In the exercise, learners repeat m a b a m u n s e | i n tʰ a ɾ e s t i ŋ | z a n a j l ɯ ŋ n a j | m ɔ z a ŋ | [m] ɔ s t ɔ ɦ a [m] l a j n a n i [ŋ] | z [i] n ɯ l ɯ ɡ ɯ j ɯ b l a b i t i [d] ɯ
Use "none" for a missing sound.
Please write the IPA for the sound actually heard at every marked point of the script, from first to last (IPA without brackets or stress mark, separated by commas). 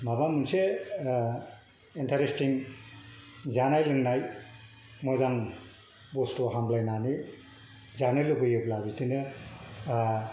b, m, none, a, n